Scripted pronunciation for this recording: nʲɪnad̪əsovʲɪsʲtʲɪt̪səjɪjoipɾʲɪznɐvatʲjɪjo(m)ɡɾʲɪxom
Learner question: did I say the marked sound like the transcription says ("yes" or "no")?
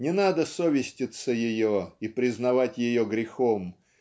no